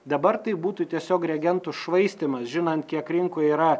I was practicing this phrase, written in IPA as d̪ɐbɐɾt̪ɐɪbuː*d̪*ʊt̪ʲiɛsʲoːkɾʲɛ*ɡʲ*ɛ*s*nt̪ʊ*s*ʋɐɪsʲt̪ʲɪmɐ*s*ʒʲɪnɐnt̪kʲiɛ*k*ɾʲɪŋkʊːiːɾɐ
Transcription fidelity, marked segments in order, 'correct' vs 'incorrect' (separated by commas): incorrect, correct, incorrect, incorrect, correct, correct